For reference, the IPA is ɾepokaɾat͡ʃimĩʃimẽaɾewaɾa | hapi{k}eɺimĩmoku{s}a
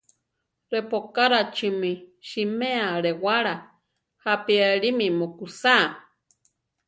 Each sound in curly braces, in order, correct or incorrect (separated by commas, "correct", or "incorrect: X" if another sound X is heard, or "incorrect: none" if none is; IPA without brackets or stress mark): incorrect: none, correct